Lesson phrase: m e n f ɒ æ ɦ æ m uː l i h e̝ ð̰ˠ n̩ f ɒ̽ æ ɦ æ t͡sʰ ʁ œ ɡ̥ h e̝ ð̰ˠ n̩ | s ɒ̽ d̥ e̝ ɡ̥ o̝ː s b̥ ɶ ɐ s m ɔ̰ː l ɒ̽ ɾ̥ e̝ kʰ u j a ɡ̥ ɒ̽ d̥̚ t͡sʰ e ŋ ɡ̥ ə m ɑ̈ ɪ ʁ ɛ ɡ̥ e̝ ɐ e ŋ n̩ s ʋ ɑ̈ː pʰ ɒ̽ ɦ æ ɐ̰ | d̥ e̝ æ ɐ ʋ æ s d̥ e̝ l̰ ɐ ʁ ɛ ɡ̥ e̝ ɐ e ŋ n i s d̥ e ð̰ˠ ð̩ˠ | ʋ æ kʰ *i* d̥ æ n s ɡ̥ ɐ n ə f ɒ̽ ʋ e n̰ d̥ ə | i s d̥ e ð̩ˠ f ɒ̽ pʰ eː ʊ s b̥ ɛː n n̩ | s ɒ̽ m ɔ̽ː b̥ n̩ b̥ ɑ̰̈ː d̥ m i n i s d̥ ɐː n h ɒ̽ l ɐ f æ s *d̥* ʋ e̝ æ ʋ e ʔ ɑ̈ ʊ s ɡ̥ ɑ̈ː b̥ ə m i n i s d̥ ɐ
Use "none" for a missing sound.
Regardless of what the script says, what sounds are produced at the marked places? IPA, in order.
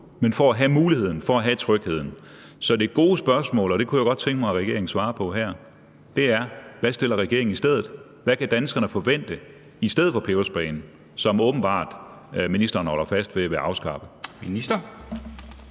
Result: æ, d̥

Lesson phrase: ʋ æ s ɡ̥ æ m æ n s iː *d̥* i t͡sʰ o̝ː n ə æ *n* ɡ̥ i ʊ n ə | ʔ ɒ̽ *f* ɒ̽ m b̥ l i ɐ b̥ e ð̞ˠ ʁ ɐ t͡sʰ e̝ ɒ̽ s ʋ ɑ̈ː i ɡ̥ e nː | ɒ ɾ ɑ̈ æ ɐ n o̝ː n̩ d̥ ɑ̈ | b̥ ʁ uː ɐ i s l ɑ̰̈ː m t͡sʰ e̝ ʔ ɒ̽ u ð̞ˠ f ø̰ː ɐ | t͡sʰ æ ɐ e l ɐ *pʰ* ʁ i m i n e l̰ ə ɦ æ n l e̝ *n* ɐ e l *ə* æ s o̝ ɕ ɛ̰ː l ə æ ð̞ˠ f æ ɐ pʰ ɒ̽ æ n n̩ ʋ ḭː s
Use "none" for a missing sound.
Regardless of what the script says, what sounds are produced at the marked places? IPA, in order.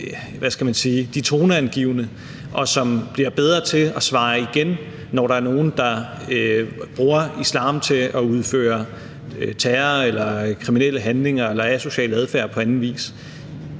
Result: d̥, n, s, kʰ, ŋ, ɐ

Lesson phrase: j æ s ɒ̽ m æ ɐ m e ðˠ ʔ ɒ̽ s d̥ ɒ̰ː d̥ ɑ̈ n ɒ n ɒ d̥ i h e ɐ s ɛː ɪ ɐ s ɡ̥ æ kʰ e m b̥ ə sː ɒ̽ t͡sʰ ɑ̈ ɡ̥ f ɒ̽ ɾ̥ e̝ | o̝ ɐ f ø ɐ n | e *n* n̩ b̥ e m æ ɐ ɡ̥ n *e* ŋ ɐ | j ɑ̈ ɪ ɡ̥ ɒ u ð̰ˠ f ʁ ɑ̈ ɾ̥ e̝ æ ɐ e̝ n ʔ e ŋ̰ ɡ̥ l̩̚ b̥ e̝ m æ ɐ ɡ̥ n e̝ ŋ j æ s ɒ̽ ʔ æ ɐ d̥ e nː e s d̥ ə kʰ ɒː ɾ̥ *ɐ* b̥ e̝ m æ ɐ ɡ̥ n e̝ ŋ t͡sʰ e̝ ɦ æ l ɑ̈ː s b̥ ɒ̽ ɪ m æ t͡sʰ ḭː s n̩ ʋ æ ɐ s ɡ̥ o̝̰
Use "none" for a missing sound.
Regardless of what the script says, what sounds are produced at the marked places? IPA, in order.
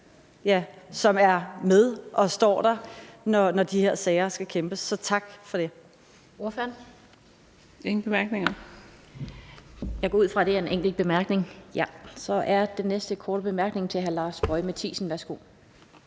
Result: ŋ, e, ə

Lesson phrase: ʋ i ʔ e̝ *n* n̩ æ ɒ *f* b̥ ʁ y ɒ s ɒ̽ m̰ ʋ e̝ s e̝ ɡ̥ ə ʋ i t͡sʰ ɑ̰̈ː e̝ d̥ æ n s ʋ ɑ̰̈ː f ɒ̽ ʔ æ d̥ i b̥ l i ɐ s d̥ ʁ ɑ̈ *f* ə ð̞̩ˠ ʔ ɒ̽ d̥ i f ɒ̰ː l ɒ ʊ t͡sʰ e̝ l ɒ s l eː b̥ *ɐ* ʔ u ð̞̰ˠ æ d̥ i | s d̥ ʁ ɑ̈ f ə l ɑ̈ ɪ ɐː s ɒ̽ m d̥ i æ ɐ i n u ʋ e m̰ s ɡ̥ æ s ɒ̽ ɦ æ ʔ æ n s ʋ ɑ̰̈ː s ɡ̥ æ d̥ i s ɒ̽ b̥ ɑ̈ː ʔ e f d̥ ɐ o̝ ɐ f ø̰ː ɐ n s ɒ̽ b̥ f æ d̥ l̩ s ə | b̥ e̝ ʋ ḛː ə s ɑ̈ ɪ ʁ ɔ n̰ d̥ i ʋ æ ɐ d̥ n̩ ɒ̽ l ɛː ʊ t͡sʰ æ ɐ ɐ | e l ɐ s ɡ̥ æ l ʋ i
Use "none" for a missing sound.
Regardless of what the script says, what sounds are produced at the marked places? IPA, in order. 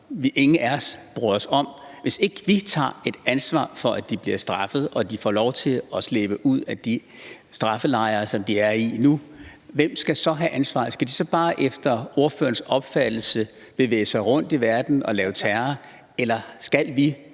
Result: ŋ, s, f, ə

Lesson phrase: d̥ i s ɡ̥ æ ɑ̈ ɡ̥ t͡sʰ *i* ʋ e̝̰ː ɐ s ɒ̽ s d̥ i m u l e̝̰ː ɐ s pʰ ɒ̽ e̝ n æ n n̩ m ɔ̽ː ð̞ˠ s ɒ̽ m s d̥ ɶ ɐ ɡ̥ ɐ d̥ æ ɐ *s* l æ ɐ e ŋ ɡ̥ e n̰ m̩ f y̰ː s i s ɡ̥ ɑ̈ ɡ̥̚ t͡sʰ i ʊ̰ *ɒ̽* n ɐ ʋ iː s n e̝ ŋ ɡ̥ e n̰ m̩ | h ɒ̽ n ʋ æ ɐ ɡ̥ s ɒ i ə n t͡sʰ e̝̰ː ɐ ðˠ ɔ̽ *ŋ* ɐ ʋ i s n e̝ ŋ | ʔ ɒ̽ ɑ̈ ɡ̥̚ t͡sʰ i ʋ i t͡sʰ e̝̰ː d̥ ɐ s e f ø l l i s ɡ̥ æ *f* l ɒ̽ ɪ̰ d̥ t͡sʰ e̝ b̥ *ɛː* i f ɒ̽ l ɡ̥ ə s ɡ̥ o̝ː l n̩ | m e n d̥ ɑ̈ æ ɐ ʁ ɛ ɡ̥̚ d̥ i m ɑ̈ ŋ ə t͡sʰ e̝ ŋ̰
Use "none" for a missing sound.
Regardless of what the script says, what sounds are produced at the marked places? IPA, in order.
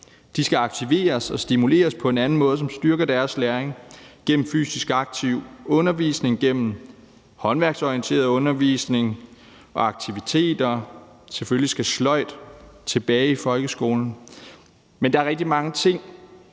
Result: i, s, ɔ̽, n, s, ɛː

